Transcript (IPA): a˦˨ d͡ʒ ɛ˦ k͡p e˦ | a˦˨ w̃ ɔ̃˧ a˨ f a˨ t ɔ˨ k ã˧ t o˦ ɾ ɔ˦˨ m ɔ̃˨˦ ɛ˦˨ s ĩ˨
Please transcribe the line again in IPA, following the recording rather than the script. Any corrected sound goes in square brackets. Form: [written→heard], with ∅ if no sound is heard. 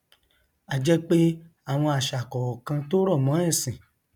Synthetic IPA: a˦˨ d͡ʒ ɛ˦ k͡p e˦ | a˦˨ w̃ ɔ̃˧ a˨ [f→ʃ] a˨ [t→k] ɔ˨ k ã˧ t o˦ ɾ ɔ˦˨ m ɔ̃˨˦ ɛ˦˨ s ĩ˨